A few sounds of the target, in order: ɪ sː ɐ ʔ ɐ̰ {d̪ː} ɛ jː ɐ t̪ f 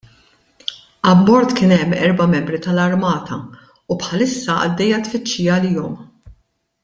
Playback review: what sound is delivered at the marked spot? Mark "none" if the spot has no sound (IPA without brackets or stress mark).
d̪ː